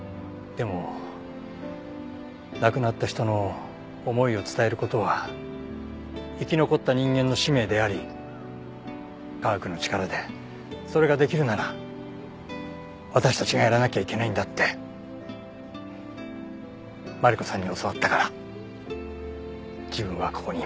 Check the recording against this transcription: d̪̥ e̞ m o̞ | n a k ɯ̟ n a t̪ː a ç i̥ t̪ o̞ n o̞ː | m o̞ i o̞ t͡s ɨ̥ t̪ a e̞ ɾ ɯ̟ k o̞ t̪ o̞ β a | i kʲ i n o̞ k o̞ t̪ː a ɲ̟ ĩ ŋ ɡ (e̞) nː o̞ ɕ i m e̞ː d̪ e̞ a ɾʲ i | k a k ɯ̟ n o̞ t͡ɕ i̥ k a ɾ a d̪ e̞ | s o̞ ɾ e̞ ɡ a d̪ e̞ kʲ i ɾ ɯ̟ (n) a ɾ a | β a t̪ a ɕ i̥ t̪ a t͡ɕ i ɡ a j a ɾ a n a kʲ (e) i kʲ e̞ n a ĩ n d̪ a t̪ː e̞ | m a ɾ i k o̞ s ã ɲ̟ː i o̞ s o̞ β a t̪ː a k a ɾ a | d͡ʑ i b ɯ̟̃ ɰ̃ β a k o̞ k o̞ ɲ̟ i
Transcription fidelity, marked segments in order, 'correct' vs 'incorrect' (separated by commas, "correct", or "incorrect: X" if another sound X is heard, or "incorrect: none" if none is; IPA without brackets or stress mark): incorrect: ẽ̞, correct, incorrect: a